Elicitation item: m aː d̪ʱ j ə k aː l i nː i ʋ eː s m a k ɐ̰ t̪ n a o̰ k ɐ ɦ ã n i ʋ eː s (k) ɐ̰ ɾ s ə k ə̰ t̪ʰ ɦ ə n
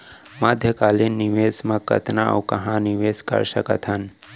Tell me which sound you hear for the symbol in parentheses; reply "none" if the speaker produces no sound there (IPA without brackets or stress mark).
k